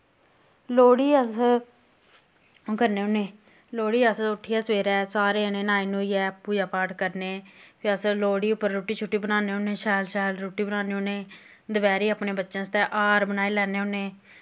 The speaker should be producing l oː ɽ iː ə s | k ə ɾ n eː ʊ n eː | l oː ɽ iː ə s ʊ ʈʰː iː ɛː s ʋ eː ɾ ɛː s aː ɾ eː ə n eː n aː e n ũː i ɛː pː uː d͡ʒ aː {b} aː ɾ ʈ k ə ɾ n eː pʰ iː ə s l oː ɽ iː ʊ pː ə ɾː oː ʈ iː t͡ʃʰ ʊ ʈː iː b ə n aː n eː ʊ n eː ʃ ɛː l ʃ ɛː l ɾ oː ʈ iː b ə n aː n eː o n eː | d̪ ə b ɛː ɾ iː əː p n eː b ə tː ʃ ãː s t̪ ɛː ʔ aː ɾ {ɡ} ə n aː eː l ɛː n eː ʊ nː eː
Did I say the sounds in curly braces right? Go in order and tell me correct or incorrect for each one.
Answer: incorrect: p, incorrect: b

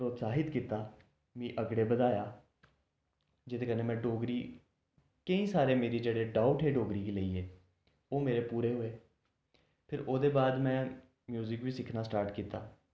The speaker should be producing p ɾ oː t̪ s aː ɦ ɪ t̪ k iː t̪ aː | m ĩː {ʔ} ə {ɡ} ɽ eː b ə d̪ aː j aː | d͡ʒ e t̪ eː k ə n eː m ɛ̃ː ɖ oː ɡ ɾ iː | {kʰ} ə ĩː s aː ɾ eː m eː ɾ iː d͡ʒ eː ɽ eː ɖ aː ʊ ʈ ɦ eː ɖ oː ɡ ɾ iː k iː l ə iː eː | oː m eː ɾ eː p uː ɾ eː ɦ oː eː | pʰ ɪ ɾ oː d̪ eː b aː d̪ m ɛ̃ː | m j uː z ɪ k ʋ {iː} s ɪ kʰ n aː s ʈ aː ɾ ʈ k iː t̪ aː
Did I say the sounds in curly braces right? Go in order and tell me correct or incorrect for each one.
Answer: correct, correct, incorrect: k, correct

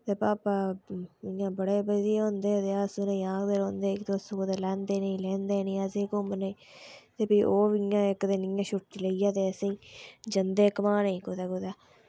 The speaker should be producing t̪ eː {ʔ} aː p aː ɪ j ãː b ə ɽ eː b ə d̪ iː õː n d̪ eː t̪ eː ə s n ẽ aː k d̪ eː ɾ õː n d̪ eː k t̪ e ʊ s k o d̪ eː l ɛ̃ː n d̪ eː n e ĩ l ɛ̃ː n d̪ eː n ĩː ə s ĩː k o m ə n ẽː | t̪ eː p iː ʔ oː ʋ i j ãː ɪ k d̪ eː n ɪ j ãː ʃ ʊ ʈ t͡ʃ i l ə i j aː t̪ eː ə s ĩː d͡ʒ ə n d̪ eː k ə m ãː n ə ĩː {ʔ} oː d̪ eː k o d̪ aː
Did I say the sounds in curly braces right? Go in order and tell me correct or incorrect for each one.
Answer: incorrect: p, incorrect: k

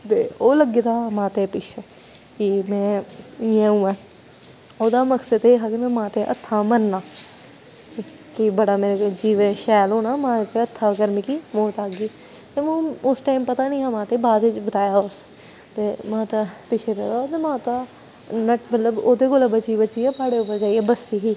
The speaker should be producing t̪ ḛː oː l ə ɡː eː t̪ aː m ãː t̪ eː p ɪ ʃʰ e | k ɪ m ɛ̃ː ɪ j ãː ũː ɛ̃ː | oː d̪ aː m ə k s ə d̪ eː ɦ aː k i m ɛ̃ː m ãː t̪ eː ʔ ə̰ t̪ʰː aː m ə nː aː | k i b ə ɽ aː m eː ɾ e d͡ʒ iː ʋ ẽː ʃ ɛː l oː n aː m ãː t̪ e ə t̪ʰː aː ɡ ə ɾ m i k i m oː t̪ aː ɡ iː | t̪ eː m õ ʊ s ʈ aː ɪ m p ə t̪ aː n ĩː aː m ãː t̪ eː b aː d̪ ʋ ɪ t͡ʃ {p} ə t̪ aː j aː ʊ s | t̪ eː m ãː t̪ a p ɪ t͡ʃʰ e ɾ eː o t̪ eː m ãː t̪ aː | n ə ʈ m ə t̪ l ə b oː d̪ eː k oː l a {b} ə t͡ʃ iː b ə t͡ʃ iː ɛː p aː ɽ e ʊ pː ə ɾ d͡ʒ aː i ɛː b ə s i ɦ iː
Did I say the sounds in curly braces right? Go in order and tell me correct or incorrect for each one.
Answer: incorrect: b, correct

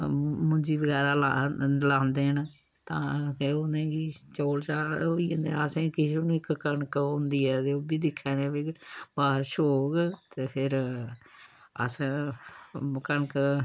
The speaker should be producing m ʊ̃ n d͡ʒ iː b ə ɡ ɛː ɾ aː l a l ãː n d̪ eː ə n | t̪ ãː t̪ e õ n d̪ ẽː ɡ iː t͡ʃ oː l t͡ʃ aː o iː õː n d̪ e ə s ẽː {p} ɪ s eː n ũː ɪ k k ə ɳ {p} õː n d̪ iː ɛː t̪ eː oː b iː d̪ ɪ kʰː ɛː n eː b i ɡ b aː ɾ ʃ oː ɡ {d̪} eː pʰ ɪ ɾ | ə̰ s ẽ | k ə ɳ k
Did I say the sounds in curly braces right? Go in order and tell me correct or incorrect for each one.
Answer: incorrect: k, incorrect: k, incorrect: t̪

